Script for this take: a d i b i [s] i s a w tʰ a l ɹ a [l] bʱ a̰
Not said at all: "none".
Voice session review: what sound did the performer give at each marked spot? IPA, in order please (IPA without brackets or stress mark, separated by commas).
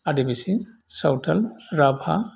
s, none